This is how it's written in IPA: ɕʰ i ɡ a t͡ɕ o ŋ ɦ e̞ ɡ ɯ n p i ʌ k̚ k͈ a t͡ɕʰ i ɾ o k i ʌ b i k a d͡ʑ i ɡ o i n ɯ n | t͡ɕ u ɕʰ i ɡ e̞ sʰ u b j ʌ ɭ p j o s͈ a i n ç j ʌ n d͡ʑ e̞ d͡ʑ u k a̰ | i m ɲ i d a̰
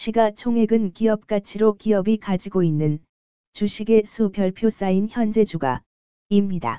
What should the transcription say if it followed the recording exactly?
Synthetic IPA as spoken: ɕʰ i ɡ a t͡ɕʰ o ŋ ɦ e̞ ɡ ɯ n k i ʌ p̚ k͈ a t͡ɕʰ i ɾ o k i ʌ b i k a d͡ʑ i ɡ o i nː ɯ n | t͡ɕ u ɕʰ i ɡ e̞ sʰ u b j ʌ ɭ pʰ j o s͈ a i n ç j ʌ n d͡ʑ e̞ d͡ʑ u ɡ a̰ | i m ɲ i d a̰